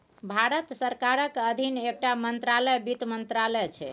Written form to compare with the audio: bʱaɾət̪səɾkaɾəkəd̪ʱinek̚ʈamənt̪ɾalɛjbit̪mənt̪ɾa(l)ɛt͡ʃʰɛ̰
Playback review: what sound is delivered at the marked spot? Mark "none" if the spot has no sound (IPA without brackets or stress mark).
l